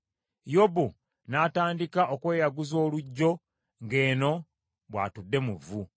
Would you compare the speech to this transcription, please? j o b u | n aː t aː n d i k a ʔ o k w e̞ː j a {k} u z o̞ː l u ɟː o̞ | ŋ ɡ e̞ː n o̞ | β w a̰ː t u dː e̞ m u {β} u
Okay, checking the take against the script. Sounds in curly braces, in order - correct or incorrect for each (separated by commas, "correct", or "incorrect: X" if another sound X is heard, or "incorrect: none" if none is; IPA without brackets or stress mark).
incorrect: ɡ, incorrect: v